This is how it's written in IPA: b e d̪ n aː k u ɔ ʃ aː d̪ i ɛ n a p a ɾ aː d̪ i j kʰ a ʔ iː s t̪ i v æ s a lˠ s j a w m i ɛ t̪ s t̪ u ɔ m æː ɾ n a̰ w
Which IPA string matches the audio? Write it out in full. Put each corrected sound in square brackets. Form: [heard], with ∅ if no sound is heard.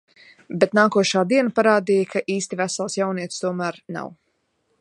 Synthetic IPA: b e [t̪] n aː k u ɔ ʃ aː d̪ i ɛ n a p a ɾ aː d̪ i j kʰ a ʔ iː s t̪ i v æ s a lˠ s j a w [n] i ɛ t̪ s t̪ u ɔ m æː ɾ n a̰ w